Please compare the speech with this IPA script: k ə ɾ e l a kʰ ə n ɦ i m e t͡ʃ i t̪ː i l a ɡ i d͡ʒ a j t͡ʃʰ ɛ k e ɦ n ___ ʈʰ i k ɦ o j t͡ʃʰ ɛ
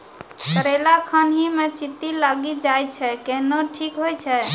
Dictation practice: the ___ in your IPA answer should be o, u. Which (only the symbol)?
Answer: o